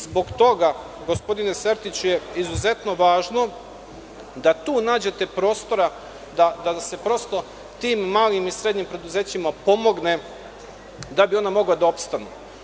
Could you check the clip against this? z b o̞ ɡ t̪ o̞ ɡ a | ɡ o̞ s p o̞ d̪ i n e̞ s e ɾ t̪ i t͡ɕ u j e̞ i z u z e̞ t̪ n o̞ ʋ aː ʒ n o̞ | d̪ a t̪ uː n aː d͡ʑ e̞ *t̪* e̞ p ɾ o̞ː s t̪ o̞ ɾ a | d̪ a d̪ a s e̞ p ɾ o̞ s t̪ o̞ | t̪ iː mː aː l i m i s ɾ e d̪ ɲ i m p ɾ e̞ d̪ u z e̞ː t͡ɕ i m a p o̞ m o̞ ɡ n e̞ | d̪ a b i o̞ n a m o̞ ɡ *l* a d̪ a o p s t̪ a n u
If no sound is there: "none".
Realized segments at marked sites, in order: t̪, l

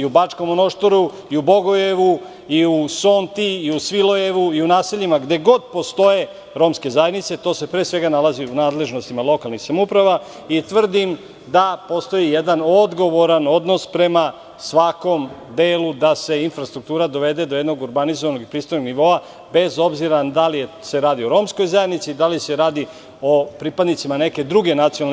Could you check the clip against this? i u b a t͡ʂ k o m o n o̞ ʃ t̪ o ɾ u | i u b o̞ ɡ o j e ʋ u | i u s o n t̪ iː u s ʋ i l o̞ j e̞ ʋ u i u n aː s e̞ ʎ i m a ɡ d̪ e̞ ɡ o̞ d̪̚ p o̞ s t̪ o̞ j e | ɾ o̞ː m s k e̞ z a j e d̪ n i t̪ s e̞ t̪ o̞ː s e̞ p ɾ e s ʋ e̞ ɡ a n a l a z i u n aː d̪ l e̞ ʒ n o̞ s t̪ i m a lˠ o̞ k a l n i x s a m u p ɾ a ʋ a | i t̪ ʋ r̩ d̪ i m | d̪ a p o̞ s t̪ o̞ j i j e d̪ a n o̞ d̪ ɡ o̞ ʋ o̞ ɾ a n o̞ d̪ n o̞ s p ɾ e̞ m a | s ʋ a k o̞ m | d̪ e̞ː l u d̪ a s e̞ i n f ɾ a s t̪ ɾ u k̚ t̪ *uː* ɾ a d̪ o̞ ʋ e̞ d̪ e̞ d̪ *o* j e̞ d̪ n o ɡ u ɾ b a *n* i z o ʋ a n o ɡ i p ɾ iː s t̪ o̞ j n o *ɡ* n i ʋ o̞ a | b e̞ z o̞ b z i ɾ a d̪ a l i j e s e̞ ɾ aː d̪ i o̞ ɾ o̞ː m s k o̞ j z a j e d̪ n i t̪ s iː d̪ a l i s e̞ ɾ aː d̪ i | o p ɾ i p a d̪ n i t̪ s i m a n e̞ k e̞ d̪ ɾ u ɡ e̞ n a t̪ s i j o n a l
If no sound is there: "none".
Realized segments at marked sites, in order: uː, o, n, ɡ

